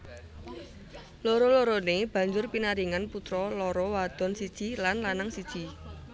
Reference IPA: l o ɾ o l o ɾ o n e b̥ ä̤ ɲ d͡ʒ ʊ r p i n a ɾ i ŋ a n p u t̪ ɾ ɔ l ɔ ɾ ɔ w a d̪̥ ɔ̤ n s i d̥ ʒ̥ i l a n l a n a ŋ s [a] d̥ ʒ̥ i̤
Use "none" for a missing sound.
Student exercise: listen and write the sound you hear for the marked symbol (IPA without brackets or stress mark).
i